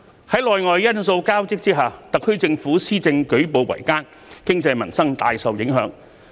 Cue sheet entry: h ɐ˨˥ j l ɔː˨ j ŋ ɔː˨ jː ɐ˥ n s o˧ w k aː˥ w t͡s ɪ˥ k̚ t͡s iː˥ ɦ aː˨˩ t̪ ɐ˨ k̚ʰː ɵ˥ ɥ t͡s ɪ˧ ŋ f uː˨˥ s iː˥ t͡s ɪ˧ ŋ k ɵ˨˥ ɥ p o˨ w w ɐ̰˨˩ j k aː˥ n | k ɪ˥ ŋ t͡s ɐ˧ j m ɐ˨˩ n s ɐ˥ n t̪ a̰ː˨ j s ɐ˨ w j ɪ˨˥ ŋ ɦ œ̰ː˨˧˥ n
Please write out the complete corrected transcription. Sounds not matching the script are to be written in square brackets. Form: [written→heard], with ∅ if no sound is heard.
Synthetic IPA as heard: h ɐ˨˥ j l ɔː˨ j ŋ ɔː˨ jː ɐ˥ n s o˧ w k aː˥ w t͡s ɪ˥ k̚ t͡s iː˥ ɦ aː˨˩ t̪ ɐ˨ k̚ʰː ɵ˥ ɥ t͡s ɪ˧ ŋ f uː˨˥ s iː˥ t͡s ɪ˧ ŋ k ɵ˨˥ ɥ p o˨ w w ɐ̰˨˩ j k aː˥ n | k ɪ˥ ŋ t͡s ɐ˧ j m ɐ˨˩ n s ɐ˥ [n→ŋ] t̪ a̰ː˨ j s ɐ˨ w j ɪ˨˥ ŋ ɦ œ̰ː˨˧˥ [n→ŋ]

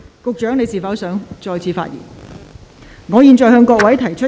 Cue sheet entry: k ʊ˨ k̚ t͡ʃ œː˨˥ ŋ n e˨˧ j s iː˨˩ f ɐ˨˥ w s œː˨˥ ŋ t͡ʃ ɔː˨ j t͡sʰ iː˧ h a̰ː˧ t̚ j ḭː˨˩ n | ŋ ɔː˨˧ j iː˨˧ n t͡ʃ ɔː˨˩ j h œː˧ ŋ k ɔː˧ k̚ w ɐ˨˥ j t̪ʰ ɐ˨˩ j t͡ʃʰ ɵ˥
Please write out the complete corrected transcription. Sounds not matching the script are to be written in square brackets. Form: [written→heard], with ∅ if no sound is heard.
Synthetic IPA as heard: k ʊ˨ k̚ t͡ʃ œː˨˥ ŋ n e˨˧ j s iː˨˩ f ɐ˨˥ w s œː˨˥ ŋ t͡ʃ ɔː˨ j t͡sʰ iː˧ [h→f] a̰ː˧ t̚ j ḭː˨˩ n | ŋ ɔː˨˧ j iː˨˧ n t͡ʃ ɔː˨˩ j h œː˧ ŋ k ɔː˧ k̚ w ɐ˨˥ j t̪ʰ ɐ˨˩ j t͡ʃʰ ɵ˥

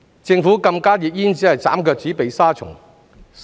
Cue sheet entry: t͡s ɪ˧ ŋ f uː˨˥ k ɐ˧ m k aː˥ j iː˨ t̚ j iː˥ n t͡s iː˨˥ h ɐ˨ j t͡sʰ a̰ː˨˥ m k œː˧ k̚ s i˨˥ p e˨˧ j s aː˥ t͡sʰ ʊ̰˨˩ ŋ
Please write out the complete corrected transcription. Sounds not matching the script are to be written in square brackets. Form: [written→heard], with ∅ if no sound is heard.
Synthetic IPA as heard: t͡s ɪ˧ ŋ f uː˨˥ k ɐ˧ m k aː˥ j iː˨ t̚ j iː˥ n t͡s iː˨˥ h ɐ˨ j [t͡sʰ→t͡s] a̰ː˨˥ m k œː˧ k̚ [s→t͡s] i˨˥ p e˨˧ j s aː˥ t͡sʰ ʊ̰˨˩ ŋ

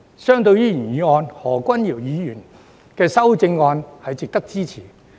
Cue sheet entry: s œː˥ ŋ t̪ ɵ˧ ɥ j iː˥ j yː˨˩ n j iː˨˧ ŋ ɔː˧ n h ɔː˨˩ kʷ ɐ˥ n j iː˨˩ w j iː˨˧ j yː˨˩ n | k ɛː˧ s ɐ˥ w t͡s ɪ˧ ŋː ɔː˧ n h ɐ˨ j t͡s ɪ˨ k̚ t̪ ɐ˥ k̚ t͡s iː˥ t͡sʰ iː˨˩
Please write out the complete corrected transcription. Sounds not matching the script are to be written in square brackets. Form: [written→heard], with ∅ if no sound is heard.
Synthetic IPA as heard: s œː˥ ŋ t̪ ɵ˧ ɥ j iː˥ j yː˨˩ n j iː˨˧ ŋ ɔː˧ n h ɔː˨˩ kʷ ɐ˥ n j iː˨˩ w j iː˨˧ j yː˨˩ n | k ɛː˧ s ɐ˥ w t͡s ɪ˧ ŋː ɔː˧ n h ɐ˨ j t͡s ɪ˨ k̚ t̪ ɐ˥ k̚ t͡s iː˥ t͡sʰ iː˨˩

